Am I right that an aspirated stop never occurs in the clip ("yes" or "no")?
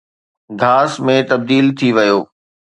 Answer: no